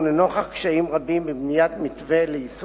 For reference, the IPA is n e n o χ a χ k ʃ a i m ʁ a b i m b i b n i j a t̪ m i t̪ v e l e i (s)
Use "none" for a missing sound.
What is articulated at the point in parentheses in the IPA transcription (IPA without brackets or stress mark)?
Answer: s